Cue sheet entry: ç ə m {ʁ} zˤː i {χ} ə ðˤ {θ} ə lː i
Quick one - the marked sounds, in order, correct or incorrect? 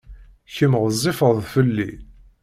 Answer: correct, incorrect: f, incorrect: f

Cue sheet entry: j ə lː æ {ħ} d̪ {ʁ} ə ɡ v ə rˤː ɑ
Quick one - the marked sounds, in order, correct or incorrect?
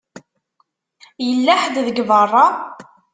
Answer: correct, incorrect: ð

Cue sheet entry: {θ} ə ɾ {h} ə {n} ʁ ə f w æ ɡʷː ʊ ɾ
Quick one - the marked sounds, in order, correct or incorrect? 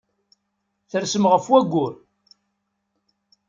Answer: correct, incorrect: s, incorrect: m

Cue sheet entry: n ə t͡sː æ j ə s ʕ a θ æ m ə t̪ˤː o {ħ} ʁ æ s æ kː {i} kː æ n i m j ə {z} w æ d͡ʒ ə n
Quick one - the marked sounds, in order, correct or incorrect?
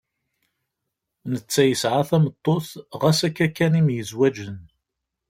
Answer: incorrect: θ, incorrect: æ, correct

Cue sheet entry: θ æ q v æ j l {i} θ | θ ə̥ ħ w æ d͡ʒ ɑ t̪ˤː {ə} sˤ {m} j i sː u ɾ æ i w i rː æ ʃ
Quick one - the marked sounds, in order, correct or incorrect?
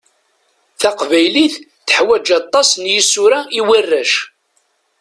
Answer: correct, incorrect: ɑ, incorrect: n

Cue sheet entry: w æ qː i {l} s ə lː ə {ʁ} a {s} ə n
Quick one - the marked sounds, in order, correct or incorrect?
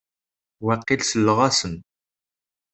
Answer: correct, correct, correct

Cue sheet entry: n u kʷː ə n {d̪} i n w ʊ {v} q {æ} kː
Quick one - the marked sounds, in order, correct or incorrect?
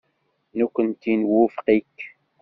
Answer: incorrect: t̪, incorrect: f, incorrect: i

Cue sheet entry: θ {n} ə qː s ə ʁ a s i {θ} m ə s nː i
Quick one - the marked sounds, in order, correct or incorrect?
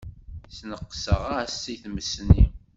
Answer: correct, correct

